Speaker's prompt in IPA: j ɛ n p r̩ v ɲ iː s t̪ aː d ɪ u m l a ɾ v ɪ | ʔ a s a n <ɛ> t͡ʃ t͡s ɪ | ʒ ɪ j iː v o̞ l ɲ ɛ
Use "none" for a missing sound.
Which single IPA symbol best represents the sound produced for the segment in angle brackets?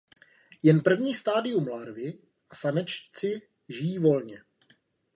ɛ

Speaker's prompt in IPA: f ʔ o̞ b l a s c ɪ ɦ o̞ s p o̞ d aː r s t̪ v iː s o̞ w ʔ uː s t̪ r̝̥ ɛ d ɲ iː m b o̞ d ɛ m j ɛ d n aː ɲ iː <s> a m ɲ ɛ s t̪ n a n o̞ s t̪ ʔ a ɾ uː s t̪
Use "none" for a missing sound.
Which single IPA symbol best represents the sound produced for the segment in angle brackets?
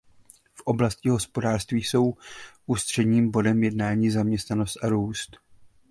z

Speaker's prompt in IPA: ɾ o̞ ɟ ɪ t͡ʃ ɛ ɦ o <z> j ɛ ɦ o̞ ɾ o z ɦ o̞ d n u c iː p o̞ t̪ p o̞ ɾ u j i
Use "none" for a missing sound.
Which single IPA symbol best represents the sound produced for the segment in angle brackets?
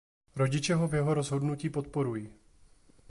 v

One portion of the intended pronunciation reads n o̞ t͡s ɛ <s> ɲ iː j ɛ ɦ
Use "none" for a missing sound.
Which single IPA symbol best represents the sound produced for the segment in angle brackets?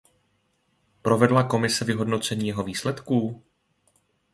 none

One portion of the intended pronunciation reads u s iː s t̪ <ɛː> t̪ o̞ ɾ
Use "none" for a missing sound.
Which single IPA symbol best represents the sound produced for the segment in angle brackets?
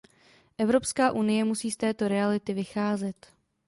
ɛː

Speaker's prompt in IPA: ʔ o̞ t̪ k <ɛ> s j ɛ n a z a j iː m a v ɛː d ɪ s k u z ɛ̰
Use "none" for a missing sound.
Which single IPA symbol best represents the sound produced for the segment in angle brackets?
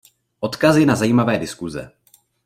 a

